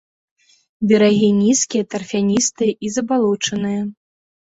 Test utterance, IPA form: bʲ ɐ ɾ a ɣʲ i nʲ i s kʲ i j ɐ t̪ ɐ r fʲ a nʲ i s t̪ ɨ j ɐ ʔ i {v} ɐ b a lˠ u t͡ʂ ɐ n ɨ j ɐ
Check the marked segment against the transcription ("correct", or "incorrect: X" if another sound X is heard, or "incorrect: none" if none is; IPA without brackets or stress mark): incorrect: z